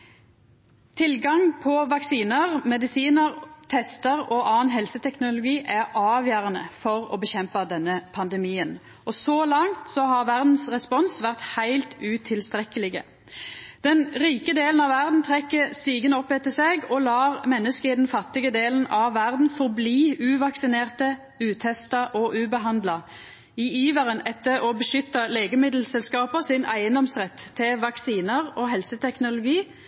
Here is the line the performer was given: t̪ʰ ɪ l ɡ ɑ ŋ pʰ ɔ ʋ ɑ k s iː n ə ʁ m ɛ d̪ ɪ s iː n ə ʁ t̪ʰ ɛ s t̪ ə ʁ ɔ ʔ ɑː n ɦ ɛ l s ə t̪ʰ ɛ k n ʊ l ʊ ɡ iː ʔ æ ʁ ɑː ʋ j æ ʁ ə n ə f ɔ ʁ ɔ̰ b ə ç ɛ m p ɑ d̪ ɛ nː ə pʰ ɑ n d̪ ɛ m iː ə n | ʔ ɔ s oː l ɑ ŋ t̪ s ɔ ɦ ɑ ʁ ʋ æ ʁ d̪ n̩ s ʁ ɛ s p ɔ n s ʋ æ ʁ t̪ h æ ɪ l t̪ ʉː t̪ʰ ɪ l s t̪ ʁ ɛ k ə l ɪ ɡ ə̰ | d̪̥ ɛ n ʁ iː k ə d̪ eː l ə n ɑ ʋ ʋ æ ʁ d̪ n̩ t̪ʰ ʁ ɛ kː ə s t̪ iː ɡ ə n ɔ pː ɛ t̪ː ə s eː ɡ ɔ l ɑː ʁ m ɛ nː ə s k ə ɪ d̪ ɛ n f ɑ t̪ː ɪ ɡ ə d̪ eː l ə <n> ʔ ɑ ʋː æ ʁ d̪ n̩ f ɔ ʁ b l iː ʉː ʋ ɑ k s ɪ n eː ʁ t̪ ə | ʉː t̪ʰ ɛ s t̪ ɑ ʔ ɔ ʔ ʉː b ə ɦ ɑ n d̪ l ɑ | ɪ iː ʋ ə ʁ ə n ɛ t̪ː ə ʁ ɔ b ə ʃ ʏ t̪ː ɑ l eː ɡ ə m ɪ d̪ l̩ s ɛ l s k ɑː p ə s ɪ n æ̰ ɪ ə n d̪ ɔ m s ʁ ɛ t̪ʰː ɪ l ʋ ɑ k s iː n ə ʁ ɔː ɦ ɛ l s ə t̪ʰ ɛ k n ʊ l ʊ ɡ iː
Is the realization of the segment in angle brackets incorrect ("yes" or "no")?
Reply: no